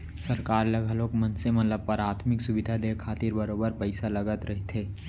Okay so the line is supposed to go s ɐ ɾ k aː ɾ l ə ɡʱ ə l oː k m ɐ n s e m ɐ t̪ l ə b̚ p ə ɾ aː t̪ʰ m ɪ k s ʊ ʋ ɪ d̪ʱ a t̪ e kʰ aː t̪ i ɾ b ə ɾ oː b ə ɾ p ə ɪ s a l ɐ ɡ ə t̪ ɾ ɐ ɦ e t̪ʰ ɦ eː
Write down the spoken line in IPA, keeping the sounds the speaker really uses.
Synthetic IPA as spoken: s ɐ ɾ k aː ɾ l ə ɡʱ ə l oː k m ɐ n s e m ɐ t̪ l ə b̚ p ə ɾ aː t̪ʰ m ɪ k s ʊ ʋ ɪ d̪ʱ a d̪ e kʰ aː t̪ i ɾ b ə ɾ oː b ə ɾ p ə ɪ s a l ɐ ɡ ə t̪ ɾ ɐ ɦ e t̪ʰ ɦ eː

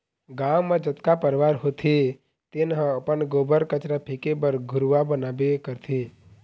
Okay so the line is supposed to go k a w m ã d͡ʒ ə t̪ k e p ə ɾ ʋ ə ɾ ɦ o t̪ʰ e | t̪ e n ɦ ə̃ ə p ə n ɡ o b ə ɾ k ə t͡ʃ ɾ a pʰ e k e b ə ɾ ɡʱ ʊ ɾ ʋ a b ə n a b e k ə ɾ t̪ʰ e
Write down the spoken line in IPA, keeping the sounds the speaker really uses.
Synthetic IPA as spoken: ɡ a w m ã d͡ʒ ə t̪ k a p ə ɾ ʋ a ɾ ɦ o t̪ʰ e | t̪ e n ɦ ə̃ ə p ə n ɡ o b ə ɾ k ə t͡ʃ ɾ a pʰ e k e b ə ɾ ɡʱ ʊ ɾ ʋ a b ə n a b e k ə ɾ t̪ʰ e

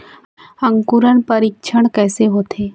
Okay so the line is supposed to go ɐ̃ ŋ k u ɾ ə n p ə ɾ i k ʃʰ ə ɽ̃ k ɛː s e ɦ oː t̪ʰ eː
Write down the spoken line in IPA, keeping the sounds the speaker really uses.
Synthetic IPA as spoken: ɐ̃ ŋ k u ɾ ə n p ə ɾ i k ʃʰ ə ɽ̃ k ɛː s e ɦ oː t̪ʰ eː

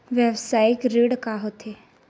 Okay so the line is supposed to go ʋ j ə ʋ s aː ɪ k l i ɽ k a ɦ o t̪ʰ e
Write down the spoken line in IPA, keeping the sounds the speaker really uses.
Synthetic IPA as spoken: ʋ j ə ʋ s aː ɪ k ɾ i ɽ k a ɦ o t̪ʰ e

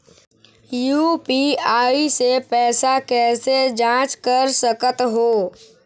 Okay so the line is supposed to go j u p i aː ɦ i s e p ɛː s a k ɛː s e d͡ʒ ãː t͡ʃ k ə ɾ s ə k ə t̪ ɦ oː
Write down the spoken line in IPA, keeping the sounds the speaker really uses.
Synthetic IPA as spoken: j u p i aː i s e p ɛː s a k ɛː s e d͡ʒ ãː t͡ʃ k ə ɾ s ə k ə t̪ ɦ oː

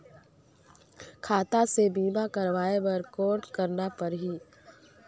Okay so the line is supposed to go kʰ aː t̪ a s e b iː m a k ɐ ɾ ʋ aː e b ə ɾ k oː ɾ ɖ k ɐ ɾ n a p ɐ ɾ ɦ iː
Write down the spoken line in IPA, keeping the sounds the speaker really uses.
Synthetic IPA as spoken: kʰ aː t̪ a s e b iː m a k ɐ ɾ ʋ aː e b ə ɾ k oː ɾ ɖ k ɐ ɾ n a p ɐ ɾ ɦ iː

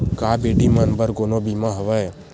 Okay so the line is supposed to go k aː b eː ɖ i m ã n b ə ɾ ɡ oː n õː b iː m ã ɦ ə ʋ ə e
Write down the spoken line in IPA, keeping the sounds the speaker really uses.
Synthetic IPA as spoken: k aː b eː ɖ i m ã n b ə ɾ ɡ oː n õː b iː m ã ɦ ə ʋ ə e

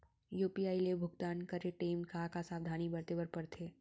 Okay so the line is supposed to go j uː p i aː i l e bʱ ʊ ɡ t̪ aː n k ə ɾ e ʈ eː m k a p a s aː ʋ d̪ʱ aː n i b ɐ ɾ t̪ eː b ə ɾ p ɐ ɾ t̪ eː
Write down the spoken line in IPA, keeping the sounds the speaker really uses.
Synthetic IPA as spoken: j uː p i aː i l e bʱ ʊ ɡ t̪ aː n k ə ɾ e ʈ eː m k a k a s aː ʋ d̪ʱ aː n i b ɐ ɾ t̪ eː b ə ɾ p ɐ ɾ t̪ʰ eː

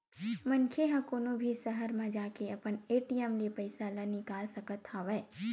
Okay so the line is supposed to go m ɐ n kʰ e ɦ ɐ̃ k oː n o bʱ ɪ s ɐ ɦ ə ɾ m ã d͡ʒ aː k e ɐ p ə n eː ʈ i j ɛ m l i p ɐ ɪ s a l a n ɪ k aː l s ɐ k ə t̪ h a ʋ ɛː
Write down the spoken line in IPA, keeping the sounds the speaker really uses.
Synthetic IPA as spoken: m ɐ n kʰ e ɦ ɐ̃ k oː n o bʱ i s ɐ ɦ ə ɾ m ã d͡ʒ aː k e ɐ p ə n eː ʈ i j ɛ m l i p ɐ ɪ s a l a n ɪ k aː l s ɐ k ə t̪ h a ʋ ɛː

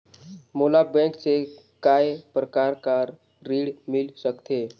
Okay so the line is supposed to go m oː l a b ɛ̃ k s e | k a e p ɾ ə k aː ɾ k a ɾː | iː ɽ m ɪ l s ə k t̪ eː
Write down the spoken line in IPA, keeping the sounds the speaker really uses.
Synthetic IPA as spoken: m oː l a b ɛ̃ k s e | k a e p ɾ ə k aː ɾ k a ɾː | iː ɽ m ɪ l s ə k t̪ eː

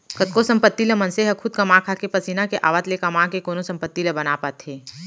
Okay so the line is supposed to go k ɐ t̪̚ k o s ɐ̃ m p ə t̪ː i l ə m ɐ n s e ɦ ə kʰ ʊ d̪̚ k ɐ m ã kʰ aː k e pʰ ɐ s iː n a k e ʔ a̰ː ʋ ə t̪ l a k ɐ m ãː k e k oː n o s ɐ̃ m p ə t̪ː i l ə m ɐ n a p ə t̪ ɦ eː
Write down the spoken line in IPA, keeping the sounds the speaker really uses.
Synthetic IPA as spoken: k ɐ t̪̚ k o s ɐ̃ m p ə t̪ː i l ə m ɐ n s e ɦ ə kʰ ʊ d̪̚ k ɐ m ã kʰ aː k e p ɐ s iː n a k e ʔ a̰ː ʋ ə t̪ l e k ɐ m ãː k e k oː n o s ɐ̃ m p ə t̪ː i l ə b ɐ n a p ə t̪ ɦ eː

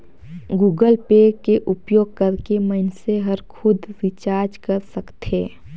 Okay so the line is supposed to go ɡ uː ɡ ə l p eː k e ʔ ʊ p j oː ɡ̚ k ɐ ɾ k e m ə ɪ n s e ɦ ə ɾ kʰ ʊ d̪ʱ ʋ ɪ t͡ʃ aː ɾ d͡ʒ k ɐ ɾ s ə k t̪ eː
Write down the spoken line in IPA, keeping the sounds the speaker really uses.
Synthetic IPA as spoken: ɡ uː ɡ ə l p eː k e ʔ ʊ p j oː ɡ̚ k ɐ ɾ k e m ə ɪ n s e ɦ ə ɾ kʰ ʊ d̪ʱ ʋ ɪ t͡ʃ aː ɾ d͡ʒ k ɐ ɾ s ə k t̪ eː

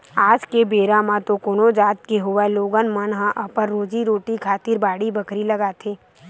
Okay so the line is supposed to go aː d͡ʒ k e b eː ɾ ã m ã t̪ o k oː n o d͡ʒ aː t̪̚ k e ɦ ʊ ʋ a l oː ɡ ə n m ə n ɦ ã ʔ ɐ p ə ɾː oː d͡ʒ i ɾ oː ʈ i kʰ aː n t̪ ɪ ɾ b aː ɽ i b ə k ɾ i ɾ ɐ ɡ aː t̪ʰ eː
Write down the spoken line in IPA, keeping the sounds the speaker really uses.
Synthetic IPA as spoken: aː d͡ʒ k e b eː ɾ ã m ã t̪ o k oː n o d͡ʒ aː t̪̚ k e ɦ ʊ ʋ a l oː ɡ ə n m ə n ɦ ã ʔ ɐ p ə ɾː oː d͡ʒ i ɾ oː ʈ i kʰ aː t̪ ɪ ɾ b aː ɽ i b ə k ɾ i l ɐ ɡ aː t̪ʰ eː

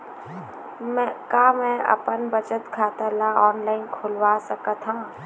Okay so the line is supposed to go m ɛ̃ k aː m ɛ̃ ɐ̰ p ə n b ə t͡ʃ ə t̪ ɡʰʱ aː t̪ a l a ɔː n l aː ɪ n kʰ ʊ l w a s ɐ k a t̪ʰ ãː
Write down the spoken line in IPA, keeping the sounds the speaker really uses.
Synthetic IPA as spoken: m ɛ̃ k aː m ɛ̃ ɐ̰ p ə n b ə t͡ʃ ə t̪ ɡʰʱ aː t̪ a l a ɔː n l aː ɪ n kʰ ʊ l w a s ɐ k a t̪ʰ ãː

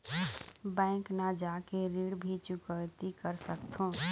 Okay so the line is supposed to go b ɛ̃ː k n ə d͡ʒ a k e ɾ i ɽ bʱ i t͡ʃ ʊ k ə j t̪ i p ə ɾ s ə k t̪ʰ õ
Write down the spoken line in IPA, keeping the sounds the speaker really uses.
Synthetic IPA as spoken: b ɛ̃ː k n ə d͡ʒ a k e ɾ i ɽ bʱ i t͡ʃ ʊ k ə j t̪ i k ə ɾ s ə k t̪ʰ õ

